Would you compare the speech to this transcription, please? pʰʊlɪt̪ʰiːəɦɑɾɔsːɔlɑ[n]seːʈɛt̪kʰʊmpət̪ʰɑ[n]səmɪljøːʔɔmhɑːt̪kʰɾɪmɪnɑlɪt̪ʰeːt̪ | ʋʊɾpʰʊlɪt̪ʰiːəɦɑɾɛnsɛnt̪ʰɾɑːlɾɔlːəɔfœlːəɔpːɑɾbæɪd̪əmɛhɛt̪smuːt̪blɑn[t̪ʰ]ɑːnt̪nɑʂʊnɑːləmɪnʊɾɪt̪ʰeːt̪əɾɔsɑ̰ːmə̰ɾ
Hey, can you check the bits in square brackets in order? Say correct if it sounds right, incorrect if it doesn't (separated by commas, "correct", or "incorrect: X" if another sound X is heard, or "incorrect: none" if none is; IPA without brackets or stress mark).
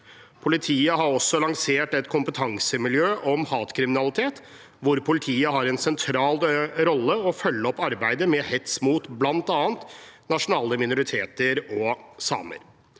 incorrect: ŋ, incorrect: ŋ, incorrect: t̪